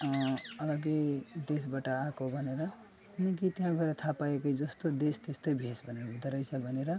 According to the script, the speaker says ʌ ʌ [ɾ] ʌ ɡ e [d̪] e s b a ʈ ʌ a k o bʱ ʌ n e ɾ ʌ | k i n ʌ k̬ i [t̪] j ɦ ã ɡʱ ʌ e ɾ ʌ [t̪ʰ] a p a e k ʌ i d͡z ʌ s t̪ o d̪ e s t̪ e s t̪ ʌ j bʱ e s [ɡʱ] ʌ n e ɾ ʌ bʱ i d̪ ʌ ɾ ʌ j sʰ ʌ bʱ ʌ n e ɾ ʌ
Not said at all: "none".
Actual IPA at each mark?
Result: l, d̪, t̪, t̪ʰ, bʱ

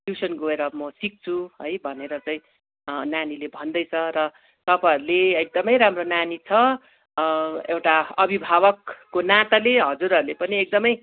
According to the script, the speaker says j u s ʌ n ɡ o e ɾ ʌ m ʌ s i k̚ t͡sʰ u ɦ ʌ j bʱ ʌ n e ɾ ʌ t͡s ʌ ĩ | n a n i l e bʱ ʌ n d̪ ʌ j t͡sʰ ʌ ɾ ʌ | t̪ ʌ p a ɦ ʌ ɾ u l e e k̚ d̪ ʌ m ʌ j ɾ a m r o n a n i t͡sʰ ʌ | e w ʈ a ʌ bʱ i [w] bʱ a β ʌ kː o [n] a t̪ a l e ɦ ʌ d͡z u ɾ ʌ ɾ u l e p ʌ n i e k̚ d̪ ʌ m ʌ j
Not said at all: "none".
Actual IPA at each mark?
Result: none, n

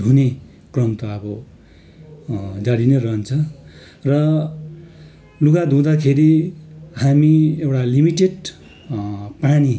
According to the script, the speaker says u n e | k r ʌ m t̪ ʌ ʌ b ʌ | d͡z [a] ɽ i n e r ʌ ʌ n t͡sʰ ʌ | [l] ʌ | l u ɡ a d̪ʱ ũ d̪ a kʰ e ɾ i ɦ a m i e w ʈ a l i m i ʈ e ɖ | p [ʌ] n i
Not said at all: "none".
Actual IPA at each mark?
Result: a, r, a

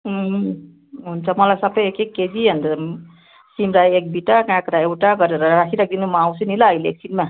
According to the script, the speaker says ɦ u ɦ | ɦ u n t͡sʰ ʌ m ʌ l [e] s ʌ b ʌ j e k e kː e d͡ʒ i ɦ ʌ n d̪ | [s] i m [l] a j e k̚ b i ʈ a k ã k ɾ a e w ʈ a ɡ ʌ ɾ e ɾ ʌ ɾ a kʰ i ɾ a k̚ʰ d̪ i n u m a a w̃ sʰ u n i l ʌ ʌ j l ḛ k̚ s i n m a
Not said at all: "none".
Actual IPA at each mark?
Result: a, s, ɾ

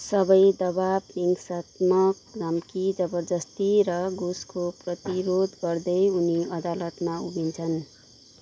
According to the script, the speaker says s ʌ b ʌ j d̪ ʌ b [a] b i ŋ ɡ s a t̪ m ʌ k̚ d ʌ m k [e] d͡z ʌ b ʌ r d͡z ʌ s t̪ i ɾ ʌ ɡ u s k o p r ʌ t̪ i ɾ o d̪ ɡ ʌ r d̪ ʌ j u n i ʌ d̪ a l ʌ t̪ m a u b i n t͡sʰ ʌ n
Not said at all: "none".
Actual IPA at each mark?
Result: a, i

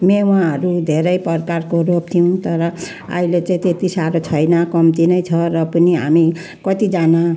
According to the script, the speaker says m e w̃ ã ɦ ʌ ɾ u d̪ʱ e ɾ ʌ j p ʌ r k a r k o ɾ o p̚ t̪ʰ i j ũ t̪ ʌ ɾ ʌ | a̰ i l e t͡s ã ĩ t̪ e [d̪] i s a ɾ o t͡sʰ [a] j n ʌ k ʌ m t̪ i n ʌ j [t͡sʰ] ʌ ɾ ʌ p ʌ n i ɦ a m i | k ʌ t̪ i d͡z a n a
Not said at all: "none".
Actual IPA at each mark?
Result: t̪, ʌ, t͡sʰ

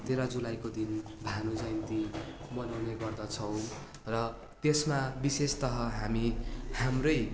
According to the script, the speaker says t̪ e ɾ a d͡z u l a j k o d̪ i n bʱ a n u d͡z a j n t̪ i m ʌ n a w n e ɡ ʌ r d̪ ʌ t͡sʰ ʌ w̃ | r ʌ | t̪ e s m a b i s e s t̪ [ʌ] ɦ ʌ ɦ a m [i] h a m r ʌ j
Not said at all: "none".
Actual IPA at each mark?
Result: ʌ, i

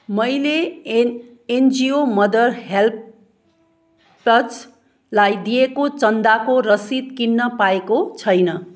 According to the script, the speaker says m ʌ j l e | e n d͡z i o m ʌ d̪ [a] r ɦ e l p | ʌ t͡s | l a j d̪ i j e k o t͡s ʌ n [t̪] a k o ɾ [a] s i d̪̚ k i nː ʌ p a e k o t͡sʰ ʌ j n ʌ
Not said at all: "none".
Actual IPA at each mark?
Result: ʌ, d̪, ʌ

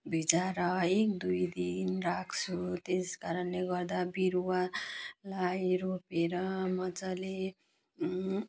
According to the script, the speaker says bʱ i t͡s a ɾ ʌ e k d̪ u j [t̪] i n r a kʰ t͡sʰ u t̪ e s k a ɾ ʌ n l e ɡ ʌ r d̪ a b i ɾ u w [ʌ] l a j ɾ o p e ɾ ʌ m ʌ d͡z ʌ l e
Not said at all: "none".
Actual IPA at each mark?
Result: d̪, a

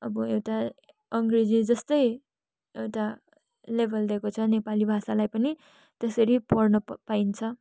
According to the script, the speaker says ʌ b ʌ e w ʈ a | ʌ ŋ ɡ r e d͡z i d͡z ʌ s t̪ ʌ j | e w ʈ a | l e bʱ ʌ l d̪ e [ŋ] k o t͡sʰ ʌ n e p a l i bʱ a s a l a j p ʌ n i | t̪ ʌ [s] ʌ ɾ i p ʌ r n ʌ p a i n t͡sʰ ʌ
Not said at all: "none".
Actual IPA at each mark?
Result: none, s

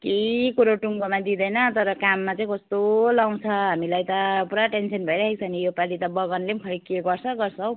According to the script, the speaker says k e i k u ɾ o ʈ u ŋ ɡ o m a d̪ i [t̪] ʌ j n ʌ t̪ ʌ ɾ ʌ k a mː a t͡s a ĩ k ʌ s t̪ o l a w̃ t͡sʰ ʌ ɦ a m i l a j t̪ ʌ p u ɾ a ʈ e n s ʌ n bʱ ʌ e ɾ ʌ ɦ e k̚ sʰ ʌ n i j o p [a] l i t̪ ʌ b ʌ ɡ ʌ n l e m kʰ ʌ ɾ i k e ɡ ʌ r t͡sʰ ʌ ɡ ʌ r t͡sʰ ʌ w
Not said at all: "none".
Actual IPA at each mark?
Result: d̪, a

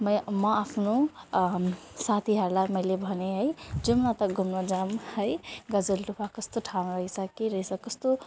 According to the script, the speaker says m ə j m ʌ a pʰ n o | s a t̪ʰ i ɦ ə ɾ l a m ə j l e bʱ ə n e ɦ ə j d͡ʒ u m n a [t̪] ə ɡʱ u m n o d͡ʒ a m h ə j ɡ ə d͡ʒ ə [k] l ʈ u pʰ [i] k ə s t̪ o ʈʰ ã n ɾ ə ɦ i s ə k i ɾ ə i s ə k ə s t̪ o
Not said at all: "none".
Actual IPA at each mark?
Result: t̪, none, a

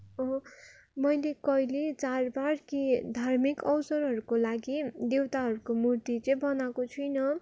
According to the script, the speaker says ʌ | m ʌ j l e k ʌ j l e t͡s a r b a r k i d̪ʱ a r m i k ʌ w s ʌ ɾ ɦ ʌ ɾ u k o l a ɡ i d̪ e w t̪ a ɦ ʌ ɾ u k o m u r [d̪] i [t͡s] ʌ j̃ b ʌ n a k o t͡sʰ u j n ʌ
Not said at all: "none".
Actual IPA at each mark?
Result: t̪, t͡s

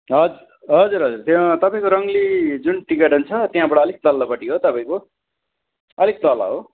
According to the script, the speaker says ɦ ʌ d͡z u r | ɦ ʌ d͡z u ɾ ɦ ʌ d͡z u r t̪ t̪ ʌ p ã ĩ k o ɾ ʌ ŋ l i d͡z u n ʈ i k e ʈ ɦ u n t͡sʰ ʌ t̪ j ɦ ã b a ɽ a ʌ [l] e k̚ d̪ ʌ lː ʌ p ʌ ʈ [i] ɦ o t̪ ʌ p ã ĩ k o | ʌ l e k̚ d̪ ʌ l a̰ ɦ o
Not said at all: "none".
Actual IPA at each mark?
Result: l, i

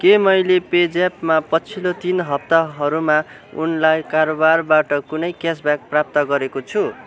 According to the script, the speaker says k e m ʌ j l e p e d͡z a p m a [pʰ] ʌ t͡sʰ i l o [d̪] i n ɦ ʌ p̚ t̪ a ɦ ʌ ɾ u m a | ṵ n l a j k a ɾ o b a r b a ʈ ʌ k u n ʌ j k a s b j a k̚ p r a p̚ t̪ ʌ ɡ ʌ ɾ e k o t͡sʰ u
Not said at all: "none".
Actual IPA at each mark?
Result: p, t̪

